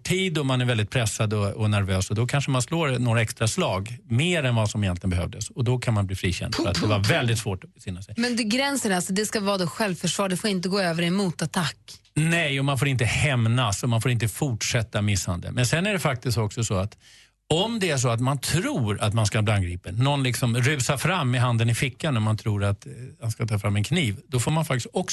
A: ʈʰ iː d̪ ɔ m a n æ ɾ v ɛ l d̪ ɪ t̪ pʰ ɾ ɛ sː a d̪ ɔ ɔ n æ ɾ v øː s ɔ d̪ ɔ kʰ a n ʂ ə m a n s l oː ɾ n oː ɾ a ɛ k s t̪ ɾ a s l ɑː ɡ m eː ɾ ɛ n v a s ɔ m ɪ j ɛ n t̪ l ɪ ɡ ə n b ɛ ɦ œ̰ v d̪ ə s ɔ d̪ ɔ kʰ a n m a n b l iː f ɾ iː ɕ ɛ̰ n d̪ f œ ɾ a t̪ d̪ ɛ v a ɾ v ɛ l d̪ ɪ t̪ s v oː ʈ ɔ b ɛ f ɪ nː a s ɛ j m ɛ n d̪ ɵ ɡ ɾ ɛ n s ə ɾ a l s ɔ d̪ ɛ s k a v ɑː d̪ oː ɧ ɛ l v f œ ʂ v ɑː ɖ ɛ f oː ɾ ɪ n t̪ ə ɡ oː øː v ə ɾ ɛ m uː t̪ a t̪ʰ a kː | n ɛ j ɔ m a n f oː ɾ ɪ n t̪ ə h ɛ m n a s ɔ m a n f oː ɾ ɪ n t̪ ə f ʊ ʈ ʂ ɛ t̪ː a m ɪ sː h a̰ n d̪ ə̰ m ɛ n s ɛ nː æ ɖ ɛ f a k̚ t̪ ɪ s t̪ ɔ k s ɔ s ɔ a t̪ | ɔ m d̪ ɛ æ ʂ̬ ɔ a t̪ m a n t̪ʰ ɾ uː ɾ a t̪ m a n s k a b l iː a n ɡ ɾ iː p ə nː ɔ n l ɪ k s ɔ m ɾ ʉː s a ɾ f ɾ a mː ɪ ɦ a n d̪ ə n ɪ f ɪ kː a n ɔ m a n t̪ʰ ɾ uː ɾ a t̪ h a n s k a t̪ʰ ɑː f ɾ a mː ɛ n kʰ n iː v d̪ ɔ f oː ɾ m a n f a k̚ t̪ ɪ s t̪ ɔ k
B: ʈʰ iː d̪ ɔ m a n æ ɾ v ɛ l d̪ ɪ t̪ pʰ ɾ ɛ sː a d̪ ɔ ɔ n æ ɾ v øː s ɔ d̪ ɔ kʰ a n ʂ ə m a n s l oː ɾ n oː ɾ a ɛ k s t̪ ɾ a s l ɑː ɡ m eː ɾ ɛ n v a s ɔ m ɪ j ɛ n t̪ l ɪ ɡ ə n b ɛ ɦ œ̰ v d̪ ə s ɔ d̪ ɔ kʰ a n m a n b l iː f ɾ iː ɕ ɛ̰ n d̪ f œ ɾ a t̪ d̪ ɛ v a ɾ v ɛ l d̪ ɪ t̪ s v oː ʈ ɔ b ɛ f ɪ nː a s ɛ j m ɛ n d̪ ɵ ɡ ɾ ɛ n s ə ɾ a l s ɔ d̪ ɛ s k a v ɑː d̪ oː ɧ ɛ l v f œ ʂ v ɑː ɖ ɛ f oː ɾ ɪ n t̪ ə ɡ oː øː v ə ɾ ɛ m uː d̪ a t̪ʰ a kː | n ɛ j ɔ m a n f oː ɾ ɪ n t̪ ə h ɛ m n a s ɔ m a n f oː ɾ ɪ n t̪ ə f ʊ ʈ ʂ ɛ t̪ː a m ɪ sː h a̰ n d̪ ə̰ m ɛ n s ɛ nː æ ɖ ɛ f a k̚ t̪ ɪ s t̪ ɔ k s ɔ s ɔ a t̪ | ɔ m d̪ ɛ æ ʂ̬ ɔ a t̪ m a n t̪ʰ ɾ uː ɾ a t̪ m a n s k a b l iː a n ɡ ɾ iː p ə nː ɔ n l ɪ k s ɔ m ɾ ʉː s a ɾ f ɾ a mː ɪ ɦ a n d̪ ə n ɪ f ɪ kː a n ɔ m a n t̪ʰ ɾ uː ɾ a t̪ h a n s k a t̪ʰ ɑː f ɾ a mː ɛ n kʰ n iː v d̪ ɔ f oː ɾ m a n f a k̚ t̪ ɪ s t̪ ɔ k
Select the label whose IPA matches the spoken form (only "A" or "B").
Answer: A